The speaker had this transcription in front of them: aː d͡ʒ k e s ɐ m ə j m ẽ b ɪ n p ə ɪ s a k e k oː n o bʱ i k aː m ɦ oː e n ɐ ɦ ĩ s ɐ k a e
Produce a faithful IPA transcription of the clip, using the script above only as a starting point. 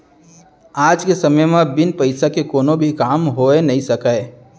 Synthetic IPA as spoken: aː d͡ʒ k e s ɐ m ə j m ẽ b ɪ n p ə ɪ s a k e k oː n o bʱ i k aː m ɦ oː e n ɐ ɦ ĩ s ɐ k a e